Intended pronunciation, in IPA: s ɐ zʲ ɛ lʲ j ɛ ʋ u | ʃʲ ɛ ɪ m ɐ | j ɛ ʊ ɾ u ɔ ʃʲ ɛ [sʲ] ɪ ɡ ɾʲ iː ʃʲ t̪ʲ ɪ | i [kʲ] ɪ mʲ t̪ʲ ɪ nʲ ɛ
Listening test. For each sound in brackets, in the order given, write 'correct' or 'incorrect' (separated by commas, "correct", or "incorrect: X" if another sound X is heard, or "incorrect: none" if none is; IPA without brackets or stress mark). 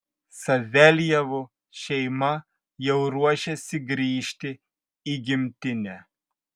correct, incorrect: ɡʲ